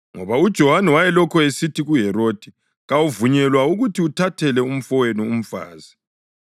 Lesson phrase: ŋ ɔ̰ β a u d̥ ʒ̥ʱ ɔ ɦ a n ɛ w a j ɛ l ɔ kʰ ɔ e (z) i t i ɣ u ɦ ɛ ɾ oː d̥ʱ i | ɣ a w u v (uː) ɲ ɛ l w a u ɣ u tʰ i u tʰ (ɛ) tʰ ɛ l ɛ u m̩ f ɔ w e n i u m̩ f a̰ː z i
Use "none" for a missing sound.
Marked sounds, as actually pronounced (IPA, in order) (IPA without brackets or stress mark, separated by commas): s, u, a